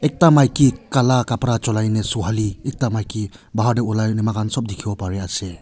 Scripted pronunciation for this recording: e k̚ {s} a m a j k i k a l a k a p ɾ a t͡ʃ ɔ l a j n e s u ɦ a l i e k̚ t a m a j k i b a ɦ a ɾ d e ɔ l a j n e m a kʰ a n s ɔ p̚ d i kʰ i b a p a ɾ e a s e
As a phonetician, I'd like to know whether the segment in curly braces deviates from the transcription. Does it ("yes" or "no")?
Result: yes